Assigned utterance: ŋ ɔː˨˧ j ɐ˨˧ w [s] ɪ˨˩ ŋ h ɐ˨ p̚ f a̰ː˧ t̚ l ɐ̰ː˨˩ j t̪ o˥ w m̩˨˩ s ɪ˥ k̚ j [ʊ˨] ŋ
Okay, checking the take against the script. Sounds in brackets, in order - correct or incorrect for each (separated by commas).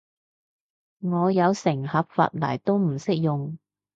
correct, correct